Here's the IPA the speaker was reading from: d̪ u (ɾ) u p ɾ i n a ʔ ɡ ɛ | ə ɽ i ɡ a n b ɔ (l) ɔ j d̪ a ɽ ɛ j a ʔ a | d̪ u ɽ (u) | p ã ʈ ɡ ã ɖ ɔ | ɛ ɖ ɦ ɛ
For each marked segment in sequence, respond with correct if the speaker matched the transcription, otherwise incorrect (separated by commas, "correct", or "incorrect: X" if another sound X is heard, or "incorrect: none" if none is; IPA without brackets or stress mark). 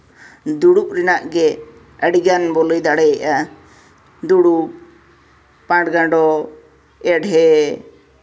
incorrect: ɽ, correct, correct